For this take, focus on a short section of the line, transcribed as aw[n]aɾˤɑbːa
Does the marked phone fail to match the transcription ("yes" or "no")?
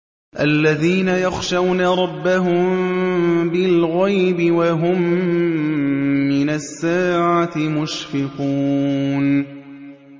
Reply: no